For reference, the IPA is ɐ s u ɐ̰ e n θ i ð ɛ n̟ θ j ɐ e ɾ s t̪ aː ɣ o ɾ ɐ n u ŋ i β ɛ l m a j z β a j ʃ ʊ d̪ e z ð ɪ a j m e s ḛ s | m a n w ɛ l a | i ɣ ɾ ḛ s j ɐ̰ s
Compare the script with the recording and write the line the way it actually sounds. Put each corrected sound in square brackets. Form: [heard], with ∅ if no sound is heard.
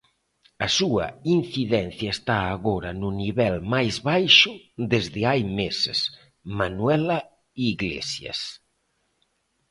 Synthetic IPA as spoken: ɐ s u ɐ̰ [i] n θ i ð ɛ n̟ θ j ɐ e [∅] s t̪ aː ɣ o ɾ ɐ n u [n] i β ɛ l m a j z β a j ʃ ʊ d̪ e z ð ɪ a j m e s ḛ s | m a n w ɛ l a | i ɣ [l] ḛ s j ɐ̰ s